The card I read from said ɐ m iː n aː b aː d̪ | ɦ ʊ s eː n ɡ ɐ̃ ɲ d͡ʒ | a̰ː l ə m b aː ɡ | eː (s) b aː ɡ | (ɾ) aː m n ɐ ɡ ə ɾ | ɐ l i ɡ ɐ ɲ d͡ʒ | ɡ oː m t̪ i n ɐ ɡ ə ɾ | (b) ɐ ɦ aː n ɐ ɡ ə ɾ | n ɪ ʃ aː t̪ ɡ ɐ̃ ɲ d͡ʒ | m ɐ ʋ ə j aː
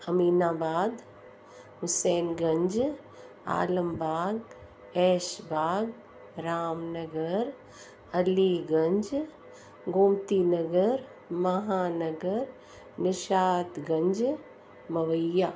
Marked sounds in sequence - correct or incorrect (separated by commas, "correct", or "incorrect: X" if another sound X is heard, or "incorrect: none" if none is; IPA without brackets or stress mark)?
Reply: incorrect: ʃ, correct, incorrect: m